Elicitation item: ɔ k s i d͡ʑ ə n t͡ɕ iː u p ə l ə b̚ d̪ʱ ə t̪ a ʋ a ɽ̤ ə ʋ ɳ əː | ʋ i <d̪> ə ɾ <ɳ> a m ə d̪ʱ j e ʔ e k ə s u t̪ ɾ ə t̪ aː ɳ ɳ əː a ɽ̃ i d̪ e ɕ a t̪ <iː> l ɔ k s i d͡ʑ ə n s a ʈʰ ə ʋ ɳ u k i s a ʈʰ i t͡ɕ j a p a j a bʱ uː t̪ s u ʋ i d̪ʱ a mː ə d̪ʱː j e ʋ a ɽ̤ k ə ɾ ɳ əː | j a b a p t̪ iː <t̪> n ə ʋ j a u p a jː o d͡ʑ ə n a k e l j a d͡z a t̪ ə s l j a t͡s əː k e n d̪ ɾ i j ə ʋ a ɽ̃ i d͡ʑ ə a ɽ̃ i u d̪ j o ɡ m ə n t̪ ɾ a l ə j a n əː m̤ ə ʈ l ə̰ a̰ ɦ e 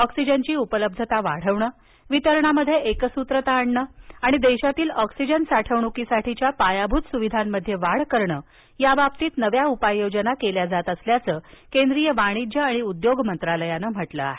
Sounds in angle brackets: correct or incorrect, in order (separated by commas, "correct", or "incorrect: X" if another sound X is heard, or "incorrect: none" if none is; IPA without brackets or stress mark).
incorrect: t̪, correct, correct, correct